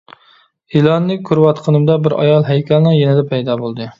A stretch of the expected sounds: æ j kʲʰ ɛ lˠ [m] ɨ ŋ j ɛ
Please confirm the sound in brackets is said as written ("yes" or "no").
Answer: no